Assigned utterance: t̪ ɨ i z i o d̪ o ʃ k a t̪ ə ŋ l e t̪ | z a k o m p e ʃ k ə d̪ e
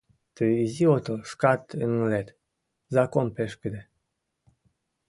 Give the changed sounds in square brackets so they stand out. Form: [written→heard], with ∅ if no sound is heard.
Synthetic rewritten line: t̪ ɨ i z i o [d̪→t̪] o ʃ k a t̪ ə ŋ l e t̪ | z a k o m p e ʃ k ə d̪ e